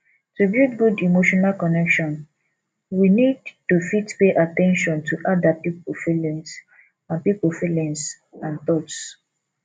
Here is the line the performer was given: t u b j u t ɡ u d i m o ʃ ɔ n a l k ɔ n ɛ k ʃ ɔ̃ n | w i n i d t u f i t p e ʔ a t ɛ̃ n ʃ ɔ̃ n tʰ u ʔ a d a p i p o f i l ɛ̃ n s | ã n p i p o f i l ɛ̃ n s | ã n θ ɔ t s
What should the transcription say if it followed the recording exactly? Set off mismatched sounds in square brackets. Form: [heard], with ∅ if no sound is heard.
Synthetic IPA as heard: t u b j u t ɡ u d i m o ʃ ɔ n a l k ɔ n ɛ k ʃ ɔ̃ n | w i n i d t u f i t p e ʔ a t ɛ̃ n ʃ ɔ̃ n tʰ u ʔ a d a p i p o f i l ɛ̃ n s | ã n p i p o f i l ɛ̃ n s | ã n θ ɔ t s